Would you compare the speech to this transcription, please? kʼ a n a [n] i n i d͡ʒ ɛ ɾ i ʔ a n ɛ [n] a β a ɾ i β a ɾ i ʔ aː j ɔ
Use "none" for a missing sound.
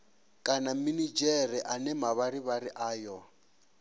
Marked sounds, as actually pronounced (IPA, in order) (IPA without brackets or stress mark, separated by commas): m, m